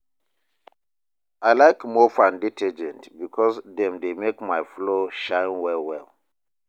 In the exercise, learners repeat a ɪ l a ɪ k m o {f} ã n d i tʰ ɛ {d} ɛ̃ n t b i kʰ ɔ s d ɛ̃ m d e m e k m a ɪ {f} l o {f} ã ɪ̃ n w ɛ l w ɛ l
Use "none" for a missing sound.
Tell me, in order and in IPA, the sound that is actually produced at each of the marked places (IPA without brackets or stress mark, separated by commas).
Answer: f, d͡ʒ, f, ʃ